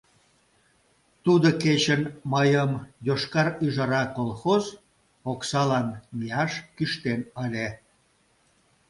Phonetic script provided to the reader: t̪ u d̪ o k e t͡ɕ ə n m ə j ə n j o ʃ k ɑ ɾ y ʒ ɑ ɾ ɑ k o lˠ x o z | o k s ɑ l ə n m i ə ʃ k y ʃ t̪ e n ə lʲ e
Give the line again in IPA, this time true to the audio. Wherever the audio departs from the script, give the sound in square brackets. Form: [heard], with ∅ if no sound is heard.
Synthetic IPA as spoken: t̪ u d̪ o k e t͡ɕ ə n m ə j ə [m] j o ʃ k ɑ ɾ y ʒ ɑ ɾ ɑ k o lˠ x o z | o k s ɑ l [ɑ] n m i [ɑ] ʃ k y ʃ t̪ e n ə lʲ e